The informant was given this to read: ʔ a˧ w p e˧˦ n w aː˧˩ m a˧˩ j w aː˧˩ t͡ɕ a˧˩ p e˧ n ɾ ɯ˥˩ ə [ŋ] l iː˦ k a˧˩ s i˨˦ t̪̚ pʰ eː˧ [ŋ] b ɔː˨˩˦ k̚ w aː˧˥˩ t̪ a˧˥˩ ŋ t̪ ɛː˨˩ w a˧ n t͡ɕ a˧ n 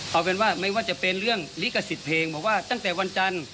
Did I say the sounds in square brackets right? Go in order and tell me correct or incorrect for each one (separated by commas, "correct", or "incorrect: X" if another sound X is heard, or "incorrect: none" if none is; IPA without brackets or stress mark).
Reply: correct, correct